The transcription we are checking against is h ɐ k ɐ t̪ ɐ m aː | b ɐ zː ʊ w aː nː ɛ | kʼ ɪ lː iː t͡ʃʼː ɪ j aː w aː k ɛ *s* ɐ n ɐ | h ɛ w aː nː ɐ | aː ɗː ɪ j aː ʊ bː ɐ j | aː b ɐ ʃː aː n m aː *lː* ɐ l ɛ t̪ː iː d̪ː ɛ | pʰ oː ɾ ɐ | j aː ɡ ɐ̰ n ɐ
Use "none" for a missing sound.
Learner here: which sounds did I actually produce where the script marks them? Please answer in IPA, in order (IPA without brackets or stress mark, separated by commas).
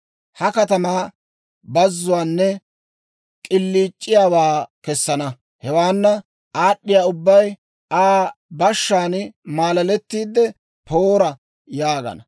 sː, l